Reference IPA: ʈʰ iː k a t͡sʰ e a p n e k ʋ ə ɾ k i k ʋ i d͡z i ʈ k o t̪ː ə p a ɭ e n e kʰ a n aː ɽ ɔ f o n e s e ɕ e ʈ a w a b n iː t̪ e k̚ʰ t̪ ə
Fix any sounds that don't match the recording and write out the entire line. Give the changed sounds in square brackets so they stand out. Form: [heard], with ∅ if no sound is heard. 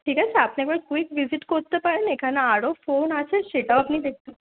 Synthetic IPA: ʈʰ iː k a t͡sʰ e a p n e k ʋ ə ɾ k i k ʋ i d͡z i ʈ k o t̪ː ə p a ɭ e n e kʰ a n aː ɽ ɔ f o n [a] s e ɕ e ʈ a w a [p] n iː [d̪] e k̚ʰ t̪ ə